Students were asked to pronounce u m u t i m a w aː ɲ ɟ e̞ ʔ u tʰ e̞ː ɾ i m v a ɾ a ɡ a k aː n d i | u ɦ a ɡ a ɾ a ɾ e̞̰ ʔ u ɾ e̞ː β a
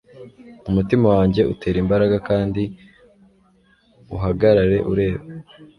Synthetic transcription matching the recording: u m u t i m a w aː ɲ ɟ e̞ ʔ u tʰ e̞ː ɾ i m b a ɾ a ɡ a k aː n d i | u ɦ a ɡ a ɾ a ɾ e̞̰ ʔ u ɾ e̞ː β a